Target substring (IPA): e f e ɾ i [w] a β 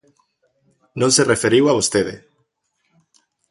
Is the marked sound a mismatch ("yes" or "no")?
no